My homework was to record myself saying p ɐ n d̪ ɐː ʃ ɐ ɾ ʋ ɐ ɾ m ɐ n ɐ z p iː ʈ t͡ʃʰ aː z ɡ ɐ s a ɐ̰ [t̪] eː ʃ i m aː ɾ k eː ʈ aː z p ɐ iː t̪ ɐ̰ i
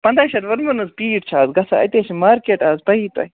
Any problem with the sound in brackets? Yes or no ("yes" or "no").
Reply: no